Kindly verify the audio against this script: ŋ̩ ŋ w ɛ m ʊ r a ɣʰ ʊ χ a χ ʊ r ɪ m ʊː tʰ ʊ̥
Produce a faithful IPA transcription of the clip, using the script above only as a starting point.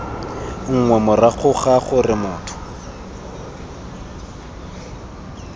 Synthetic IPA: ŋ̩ ŋ w ɛ m ʊ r a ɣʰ ʊ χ a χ ʊ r ɪ m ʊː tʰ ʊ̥